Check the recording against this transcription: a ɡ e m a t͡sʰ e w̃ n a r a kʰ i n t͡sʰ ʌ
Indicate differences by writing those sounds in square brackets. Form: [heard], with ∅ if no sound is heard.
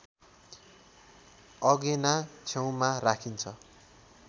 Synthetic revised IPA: [ʌ] ɡ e [n] a t͡sʰ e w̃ [m] a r a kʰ i n t͡sʰ ʌ